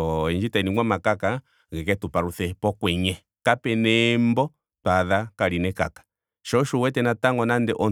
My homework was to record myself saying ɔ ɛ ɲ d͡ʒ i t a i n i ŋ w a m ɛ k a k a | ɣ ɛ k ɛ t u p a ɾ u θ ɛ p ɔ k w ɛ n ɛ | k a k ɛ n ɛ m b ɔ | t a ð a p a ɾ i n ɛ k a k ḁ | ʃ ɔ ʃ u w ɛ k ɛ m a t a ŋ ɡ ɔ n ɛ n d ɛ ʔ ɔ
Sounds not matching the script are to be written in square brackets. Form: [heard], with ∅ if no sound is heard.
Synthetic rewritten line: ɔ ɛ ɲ d͡ʒ i t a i n i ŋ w a m [a] k a k a | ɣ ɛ k ɛ t u p a ɾ u θ ɛ p ɔ k w ɛ [ɲ] ɛ | k a [p] ɛ n ɛ m b ɔ | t a ð a [k] a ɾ i n ɛ k a k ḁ | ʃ ɔ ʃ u w ɛ [t] ɛ [n] a t a ŋ ɡ ɔ n [a] n d ɛ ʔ ɔ